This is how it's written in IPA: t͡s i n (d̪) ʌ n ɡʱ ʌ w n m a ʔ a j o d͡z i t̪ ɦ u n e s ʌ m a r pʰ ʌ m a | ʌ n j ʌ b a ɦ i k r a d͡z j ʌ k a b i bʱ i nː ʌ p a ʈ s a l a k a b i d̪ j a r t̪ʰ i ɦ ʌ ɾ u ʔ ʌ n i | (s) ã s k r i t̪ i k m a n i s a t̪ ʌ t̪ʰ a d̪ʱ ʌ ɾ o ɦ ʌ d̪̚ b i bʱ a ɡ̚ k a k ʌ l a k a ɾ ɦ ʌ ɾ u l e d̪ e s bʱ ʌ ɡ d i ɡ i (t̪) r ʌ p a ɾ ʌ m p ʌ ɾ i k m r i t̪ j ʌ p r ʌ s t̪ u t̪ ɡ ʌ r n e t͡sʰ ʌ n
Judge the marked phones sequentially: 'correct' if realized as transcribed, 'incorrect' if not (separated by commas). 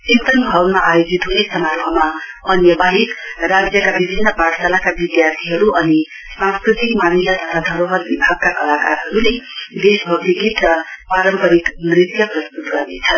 incorrect, correct, correct